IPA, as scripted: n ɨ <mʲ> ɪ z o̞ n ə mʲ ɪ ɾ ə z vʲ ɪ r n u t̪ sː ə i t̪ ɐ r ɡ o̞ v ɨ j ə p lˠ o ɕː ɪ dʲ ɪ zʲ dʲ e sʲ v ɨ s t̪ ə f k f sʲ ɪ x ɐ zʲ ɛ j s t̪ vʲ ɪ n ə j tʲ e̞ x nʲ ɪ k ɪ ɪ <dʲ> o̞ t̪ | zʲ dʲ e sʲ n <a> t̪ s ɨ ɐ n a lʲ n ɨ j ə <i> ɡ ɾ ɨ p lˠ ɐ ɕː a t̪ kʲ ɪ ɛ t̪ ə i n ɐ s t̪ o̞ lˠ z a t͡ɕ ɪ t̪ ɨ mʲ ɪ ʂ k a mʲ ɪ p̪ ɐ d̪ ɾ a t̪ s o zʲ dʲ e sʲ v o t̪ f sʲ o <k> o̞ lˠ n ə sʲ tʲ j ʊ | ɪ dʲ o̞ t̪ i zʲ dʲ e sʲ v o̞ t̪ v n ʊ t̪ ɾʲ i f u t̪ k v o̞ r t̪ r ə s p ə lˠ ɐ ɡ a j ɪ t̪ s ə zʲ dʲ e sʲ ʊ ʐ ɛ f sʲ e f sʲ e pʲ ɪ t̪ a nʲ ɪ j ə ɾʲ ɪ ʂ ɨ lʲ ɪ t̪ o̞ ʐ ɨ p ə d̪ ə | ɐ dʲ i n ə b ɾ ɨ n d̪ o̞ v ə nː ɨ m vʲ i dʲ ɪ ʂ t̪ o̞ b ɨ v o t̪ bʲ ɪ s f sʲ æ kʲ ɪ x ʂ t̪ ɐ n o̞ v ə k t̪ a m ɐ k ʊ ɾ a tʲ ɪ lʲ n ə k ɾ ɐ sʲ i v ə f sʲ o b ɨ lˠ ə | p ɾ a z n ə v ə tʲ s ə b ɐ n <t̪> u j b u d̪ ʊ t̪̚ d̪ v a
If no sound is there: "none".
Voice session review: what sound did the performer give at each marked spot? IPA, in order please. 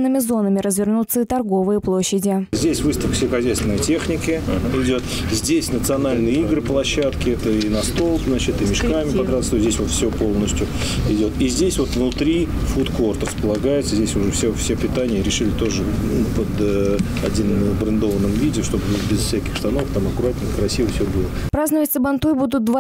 mʲ, dʲ, ə, i, p, t̪

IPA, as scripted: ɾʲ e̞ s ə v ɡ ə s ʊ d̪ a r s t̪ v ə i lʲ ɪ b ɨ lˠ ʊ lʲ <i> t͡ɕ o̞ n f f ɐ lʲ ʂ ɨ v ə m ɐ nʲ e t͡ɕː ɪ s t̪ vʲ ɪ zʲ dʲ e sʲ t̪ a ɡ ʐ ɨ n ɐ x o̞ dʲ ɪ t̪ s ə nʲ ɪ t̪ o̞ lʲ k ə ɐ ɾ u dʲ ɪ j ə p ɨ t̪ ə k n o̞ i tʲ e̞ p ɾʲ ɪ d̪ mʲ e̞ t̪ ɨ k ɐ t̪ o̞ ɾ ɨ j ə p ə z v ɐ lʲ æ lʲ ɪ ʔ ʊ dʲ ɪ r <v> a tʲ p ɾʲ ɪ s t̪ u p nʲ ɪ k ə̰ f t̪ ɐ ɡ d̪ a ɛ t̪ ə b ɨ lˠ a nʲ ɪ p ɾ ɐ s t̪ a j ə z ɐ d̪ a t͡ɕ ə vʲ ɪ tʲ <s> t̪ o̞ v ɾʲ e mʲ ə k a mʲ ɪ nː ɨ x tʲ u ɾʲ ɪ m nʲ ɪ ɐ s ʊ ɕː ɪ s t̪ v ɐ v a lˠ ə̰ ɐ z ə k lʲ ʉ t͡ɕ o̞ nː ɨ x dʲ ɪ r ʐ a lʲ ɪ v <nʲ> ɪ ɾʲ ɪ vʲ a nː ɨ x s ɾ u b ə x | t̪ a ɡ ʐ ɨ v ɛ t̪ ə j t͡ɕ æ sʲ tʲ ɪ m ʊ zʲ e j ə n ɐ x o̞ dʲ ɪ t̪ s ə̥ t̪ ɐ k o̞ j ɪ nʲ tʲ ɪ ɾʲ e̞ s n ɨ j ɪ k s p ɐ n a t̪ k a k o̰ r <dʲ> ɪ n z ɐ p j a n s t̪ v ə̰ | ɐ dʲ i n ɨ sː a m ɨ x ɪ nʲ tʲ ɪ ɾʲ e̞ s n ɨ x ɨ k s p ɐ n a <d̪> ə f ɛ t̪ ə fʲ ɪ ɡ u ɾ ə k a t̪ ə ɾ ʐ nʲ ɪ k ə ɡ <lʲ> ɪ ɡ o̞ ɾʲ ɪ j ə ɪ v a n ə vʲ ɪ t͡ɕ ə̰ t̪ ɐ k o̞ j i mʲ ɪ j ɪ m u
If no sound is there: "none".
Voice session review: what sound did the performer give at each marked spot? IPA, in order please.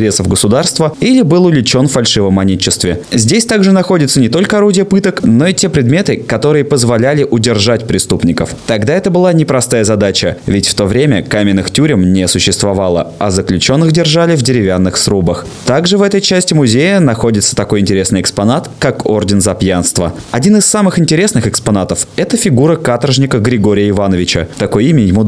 ɪ, ʐ, f, dʲ, dʲ, t̪, ɾʲ

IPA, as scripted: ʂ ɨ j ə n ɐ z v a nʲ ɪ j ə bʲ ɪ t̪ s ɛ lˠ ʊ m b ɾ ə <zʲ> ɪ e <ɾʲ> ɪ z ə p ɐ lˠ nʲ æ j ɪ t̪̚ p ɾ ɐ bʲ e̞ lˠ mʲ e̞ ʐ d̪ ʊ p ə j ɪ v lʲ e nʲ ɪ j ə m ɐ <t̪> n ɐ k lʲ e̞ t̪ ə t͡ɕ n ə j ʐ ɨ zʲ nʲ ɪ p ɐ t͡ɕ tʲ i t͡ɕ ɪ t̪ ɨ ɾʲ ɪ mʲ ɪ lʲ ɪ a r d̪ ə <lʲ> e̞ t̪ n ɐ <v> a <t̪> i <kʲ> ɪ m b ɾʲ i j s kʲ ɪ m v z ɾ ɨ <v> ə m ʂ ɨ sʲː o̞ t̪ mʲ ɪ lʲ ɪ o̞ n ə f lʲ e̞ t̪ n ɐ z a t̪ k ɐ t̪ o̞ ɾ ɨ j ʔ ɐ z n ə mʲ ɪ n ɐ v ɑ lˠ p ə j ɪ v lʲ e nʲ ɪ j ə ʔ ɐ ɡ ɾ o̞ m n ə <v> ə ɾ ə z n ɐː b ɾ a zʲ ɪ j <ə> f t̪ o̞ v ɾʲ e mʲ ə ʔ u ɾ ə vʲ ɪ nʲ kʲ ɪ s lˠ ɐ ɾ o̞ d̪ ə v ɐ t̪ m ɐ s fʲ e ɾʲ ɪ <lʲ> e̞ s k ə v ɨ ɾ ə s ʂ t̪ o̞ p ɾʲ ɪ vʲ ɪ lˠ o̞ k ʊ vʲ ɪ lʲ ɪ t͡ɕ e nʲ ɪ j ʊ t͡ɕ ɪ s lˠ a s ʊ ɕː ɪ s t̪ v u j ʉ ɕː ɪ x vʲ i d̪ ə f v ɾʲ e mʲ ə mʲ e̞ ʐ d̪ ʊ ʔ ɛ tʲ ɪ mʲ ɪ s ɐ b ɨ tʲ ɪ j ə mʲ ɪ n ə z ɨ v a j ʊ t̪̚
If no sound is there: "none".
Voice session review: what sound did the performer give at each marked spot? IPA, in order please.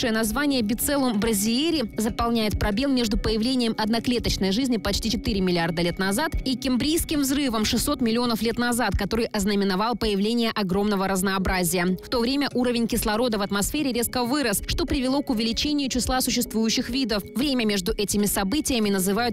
zʲ, ɾʲ, d̪, lʲ, z, t̪, kʲ, v, v, ə, ɾʲ

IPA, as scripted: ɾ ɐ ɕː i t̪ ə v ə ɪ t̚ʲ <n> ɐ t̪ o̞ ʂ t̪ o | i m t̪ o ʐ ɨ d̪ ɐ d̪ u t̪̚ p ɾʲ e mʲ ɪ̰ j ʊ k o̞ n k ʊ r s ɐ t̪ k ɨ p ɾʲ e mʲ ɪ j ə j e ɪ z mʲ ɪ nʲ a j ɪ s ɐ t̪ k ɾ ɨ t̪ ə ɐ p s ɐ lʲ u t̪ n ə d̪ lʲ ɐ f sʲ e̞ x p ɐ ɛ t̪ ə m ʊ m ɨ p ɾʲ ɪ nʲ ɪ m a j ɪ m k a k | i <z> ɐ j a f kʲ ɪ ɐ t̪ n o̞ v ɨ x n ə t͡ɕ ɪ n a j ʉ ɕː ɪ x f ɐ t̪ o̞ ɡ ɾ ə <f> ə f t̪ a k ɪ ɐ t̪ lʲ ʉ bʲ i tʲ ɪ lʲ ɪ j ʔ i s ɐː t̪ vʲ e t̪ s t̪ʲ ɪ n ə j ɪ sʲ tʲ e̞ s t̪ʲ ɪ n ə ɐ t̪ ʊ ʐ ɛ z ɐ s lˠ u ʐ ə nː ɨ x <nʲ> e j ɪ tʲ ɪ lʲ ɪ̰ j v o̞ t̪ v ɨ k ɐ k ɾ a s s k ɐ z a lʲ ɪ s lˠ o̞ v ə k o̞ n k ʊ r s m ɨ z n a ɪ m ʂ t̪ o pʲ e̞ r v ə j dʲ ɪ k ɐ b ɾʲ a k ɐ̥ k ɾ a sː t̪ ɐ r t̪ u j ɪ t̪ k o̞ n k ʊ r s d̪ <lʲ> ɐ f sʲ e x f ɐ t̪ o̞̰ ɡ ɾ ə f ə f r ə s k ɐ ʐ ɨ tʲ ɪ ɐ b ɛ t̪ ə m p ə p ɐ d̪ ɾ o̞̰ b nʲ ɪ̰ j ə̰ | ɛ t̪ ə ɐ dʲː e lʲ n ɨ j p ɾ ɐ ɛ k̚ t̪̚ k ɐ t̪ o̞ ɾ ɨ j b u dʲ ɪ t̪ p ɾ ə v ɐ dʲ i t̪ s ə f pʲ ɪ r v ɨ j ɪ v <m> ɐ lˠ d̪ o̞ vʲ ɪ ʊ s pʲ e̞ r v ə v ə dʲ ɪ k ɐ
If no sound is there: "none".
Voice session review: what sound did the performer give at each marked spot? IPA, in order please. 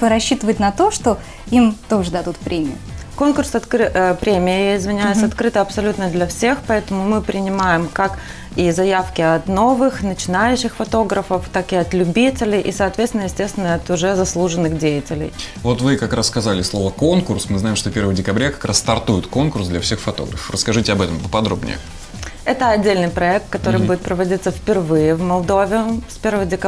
n, z, f, dʲ, lʲ, m

